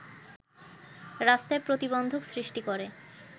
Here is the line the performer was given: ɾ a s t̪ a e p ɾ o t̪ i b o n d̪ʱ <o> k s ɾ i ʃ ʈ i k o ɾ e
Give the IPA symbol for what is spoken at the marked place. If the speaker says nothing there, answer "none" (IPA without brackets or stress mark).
o